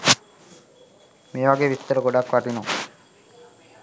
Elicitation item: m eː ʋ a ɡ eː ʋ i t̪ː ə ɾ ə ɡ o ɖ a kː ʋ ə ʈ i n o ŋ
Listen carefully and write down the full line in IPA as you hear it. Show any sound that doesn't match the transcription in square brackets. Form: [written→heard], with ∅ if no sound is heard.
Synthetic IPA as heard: m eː ʋ a ɡ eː ʋ i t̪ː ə ɾ ə ɡ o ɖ a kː ʋ [ə→a] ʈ i n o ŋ